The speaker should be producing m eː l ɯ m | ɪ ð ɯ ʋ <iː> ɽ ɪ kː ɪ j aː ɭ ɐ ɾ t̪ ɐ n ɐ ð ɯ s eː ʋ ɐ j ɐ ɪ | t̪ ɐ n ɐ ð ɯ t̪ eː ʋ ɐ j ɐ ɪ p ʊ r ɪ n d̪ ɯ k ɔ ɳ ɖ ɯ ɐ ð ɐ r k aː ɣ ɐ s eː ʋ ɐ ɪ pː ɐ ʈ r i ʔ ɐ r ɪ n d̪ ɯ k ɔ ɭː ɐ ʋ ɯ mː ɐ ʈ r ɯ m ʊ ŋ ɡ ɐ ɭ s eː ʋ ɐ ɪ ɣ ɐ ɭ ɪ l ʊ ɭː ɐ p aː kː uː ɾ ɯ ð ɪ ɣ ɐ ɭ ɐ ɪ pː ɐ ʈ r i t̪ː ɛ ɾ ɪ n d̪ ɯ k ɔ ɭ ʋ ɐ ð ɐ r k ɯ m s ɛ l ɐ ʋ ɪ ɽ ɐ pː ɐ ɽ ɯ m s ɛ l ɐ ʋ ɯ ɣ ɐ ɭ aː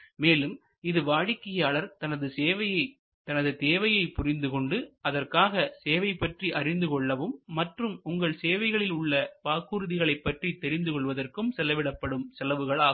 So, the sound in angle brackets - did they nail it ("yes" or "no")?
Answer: no